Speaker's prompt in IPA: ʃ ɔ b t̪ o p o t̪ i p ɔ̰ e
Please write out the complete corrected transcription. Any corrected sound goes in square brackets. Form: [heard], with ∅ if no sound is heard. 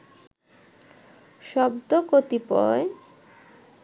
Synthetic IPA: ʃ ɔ b [d̪] o [k] o t̪ i p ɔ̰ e

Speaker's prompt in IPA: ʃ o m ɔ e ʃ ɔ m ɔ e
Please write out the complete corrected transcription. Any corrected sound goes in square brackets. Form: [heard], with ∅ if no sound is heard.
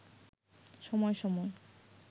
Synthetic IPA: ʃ [ɔ] m ɔ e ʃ ɔ m ɔ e

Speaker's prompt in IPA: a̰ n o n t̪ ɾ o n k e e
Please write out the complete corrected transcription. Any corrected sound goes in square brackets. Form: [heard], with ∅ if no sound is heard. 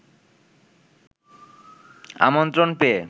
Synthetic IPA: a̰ [m] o n t̪ ɾ o n [p] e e

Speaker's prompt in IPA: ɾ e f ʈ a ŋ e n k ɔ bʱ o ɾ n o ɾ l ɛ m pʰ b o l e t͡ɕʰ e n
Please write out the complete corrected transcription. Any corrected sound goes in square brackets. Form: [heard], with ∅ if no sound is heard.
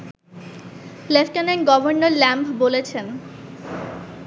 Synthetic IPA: [l] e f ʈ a [n] e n [ɡ] ɔ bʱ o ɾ n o ɾ l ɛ m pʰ b o l e t͡ɕʰ e n

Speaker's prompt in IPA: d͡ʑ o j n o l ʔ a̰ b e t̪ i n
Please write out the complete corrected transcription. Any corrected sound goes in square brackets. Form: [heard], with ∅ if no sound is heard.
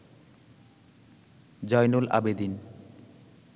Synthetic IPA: d͡ʑ [ɔ] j n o l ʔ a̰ b e [d̪] i n

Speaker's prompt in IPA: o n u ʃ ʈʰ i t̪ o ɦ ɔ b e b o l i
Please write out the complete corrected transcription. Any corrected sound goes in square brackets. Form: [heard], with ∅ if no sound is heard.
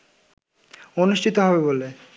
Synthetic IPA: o n u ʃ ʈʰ i t̪ o ɦ ɔ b e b o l [e]

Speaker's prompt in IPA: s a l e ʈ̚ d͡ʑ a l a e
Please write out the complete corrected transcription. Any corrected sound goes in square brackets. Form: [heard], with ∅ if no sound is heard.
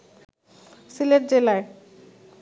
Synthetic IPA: s [i] l e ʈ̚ d͡ʑ [e] l a e

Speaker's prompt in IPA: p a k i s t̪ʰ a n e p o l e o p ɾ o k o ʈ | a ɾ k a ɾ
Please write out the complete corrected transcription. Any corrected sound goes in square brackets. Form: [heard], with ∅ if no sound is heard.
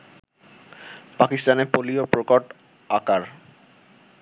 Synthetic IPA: p a k i s [t̪] a n e p o l [i] o p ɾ o k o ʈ | a [∅] k a ɾ

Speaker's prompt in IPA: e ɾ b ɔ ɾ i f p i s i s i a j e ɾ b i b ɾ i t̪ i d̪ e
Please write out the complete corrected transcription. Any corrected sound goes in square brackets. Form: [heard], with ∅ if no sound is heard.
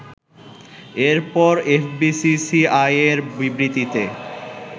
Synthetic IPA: e ɾ [p] ɔ ɾ [e] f [b] i s i s i a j e ɾ b i b ɾ i t̪ i [t̪] e

